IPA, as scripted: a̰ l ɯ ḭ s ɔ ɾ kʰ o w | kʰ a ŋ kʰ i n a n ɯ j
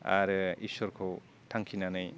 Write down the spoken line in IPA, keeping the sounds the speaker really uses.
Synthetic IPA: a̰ ɾ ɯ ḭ s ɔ ɾ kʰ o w | tʰ a ŋ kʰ i n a n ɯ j

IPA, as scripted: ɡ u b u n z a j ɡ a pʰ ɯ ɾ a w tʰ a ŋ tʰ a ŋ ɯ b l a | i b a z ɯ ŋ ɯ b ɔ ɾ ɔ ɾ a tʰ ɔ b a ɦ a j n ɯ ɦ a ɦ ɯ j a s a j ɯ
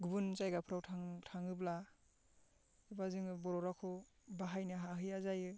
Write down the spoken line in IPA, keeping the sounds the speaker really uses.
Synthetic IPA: ɡ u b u n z a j ɡ a pʰ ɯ ɾ a w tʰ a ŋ tʰ a ŋ ɯ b l a | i b a z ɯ ŋ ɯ b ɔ ɾ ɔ ɾ a kʰ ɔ b a ɦ a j n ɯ ɦ a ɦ ɯ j a z a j ɯ

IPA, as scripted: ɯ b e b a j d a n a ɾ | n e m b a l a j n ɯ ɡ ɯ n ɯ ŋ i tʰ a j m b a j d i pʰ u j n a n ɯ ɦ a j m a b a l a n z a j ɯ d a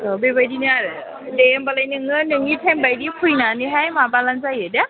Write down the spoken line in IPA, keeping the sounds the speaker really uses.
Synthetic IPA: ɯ b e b a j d i n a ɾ | d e m b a l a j n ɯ ŋ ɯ n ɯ ŋ i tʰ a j m b a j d i pʰ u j n a n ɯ ɦ a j m a b a l a n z a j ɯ d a

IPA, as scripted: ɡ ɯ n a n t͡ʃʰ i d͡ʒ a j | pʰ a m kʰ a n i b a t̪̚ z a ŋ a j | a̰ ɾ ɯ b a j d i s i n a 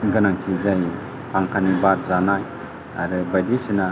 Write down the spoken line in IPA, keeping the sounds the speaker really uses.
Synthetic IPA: ɡ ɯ n a ŋ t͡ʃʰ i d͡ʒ a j | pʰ a ŋ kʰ a n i b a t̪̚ z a n a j | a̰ ɾ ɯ b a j d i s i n a

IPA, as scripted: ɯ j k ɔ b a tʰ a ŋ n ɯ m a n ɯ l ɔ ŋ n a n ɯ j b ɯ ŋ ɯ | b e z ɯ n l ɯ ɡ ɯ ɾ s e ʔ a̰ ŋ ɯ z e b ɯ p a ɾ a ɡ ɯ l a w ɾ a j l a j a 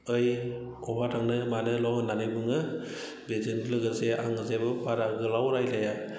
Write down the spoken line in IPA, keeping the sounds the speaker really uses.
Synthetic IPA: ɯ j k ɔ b a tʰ a ŋ n ɯ m a n ɯ l ɔ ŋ n a n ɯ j b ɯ ŋ ɯ | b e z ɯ n l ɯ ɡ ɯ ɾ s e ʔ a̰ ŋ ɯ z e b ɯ p a ɾ a ɡ ɯ l a w ɾ a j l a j a

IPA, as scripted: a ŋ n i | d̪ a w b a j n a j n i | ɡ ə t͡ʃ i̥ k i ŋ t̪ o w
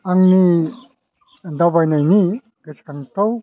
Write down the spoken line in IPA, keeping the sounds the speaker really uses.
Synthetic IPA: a ŋ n i | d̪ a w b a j n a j n i | ɡ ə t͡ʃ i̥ k a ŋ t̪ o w

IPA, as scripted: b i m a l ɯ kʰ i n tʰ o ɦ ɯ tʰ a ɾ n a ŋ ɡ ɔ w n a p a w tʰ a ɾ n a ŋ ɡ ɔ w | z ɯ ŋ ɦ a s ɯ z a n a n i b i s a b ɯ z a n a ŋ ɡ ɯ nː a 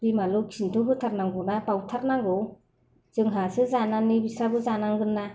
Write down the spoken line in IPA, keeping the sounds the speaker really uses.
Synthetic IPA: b i m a l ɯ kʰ i n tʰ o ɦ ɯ tʰ a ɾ n a ŋ ɡ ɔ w n a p a w tʰ a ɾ n a ŋ ɡ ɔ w | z ɯ ŋ ɦ a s ɯ z a n a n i b i s a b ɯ z a n a ŋ ɡ ɯ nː a

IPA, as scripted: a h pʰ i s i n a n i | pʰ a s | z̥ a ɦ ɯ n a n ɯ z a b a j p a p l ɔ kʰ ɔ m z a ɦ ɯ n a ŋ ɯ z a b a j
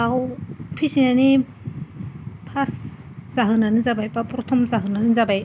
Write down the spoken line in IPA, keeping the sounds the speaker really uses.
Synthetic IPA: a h pʰ i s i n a n i | pʰ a s | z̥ a ɦ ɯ n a n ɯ z a b a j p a p ɾ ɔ tʰ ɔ m z a ɦ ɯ n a n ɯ z a b a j

